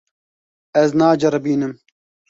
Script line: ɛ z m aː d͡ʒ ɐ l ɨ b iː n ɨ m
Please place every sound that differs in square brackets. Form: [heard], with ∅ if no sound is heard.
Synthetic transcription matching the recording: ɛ z [n] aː d͡ʒ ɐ [ɾ] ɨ b iː n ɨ m